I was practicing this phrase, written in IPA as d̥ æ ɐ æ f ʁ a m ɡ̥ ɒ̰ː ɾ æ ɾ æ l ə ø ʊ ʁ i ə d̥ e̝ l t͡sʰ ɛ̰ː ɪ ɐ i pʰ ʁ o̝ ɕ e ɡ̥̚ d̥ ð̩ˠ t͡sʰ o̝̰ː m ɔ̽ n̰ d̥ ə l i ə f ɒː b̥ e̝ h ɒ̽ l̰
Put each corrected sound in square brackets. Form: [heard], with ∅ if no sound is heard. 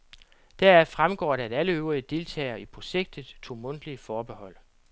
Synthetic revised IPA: d̥ æ ɐ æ f ʁ a m ɡ̥ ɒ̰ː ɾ æ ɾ æ l ə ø ʊ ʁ i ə d̥ e̝ l t͡sʰ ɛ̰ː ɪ ɐ i pʰ ʁ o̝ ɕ e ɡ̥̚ d̥ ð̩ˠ t͡sʰ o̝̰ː m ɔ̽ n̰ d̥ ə l i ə f ɒː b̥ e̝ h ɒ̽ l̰